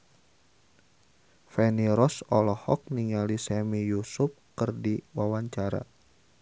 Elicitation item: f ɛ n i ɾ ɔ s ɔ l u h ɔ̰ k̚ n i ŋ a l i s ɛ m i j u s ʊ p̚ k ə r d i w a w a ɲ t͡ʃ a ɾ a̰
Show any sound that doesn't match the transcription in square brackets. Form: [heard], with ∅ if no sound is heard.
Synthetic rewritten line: f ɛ n i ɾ ɔ s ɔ l [ɔ] h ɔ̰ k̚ n i ŋ a l i s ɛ m i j u s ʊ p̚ k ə r d i w a w a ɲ t͡ʃ a ɾ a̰